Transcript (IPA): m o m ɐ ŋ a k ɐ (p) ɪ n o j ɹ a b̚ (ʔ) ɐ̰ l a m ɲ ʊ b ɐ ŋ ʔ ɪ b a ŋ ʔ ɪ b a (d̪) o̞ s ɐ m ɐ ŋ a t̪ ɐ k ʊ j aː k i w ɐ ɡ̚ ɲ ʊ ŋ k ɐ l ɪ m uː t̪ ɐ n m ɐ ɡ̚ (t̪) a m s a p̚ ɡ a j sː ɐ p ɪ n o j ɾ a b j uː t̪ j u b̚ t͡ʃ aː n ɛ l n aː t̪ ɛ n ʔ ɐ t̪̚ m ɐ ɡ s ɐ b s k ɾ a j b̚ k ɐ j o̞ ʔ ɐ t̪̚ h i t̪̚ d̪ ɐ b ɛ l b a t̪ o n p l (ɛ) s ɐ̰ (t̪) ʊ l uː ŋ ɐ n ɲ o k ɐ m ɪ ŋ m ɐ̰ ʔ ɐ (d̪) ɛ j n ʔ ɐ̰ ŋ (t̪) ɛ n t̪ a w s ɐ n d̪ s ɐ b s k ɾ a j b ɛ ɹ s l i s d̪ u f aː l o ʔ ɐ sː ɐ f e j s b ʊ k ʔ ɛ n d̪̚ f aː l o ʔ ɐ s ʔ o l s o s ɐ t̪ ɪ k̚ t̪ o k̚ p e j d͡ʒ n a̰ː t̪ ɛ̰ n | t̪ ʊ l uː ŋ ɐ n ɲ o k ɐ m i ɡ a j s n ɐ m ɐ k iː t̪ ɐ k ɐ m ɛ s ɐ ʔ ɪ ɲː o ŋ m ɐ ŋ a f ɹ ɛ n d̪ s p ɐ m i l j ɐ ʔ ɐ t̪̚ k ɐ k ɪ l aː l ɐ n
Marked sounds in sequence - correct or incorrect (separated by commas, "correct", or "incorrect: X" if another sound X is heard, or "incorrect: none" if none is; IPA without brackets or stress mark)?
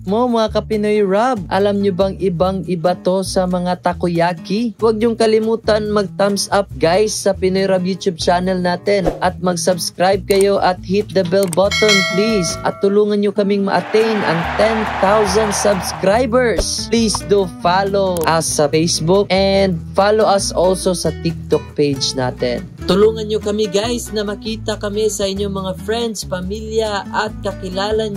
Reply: correct, correct, incorrect: t̪, correct, incorrect: i, correct, incorrect: t̪, correct